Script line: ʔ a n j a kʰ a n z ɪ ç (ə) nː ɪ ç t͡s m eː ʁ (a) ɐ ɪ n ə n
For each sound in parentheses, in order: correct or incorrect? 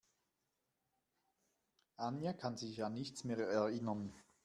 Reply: incorrect, incorrect

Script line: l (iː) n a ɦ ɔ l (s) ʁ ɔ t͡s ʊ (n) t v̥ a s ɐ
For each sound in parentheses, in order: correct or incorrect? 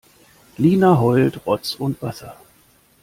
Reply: correct, incorrect, correct

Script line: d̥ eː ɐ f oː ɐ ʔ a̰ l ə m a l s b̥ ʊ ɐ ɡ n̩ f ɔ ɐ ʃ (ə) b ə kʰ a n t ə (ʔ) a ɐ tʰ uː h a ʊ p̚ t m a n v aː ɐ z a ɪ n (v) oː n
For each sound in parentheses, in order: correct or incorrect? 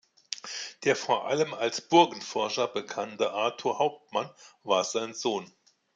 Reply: incorrect, correct, incorrect

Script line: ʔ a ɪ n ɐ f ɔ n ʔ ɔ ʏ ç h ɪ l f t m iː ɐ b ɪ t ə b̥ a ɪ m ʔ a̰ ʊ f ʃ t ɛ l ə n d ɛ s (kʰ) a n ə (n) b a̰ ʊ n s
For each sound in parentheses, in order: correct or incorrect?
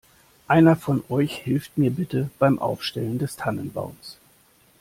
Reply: incorrect, correct

